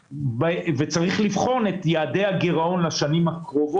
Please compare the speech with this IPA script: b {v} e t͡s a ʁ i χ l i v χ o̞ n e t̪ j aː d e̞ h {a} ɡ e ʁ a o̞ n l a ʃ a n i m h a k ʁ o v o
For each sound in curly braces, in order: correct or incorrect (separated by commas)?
correct, correct